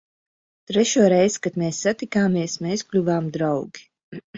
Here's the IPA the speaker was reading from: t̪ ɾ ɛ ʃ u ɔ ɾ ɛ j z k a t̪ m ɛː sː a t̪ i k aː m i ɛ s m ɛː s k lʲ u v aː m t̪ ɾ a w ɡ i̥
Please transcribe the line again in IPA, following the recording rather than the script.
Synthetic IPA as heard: t̪ ɾ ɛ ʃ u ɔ ɾ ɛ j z k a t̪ m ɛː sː a t̪ i k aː m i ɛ s m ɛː s k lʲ u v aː m d̪ ɾ a w ɡ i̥